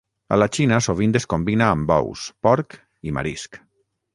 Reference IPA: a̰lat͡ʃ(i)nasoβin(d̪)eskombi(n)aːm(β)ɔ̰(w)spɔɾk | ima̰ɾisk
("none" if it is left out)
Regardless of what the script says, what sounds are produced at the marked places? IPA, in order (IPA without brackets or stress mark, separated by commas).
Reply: i, d̪, n, b, w